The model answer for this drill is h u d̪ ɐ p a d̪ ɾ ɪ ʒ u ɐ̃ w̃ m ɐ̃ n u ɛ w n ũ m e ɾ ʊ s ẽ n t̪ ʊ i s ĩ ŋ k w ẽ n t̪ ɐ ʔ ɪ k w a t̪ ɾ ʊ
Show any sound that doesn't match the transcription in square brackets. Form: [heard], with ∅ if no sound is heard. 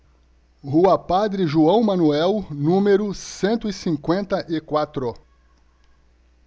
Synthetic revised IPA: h u [∅] ɐ p a d̪ ɾ ɪ ʒ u ɐ̃ w̃ m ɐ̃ n u ɛ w n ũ m e ɾ ʊ s ẽ n t̪ ʊ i s ĩ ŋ k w ẽ n t̪ ɐ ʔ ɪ k w a t̪ ɾ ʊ

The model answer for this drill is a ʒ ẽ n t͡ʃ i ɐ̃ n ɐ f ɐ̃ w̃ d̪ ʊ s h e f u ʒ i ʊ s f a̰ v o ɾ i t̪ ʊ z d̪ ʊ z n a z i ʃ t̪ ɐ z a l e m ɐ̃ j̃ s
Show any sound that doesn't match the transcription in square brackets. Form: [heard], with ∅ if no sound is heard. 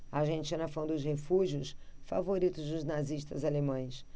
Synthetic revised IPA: a ʒ ẽ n t͡ʃ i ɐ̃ n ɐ f ɐ̃ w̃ d̪ ʊ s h e f u ʒ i ʊ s f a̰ v o ɾ i t̪ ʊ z d̪ ʊ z n a z i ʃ t̪ ɐ z a l e m ɐ̃ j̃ s

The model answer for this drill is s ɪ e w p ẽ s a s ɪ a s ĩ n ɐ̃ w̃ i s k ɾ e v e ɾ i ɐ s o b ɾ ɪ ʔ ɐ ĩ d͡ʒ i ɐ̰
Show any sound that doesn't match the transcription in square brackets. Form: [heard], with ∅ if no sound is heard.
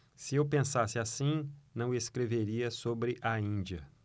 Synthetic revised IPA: s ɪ e w p ẽ s a s ɪ a s ĩ n ɐ̃ w̃ [e] s k ɾ e v e ɾ i ɐ s o b ɾ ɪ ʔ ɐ ĩ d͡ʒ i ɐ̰

